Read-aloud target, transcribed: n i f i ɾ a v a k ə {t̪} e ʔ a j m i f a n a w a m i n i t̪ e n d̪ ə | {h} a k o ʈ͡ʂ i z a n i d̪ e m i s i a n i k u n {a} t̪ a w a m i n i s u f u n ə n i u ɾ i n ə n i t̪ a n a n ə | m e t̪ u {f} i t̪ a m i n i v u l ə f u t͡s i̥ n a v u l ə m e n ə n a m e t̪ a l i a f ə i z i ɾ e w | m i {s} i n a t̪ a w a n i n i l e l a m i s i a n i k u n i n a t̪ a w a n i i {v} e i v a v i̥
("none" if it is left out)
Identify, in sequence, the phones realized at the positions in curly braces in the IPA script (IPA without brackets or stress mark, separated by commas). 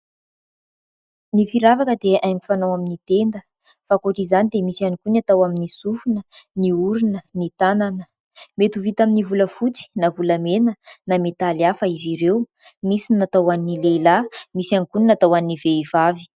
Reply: d̪, f, a, v, s, v